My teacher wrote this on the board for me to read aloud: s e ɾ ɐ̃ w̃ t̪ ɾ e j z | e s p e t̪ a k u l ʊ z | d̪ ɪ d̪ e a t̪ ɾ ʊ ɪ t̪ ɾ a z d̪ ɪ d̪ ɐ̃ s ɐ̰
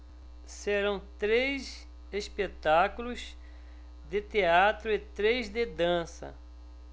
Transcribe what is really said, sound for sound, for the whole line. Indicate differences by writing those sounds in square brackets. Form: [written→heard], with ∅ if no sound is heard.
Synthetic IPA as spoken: s e ɾ ɐ̃ w̃ t̪ ɾ e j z | e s p e t̪ a k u l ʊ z | d̪ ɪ [d̪→t̪] e a t̪ ɾ ʊ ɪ t̪ ɾ [a→e] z d̪ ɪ d̪ ɐ̃ s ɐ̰